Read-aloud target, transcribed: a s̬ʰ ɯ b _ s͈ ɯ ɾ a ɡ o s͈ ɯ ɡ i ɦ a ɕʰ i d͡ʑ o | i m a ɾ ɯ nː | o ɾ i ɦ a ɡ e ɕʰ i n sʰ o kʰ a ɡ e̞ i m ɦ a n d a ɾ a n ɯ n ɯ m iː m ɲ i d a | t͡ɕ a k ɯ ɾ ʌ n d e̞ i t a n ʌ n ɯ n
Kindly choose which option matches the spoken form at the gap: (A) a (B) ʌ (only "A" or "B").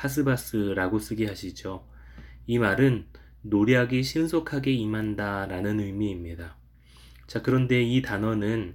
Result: A